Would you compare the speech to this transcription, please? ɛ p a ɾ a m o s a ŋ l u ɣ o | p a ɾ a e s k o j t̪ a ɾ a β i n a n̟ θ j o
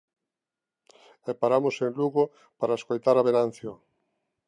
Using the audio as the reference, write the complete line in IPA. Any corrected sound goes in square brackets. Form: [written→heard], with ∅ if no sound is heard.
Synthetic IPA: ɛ p a ɾ a m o s [a→e] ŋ l u ɣ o | p a ɾ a e s k o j t̪ a ɾ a β [i→e] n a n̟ θ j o